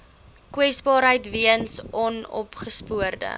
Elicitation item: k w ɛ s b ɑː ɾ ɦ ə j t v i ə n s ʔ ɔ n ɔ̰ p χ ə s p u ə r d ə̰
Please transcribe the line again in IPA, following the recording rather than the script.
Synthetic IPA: k w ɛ s b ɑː ɾ ɦ ə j t v i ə n s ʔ ɔ n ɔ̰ p χ ə s p u ə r d ə̰